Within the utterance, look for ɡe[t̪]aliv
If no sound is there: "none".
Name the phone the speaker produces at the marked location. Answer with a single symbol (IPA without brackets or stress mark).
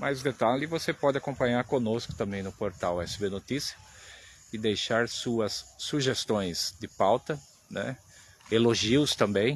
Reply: t̪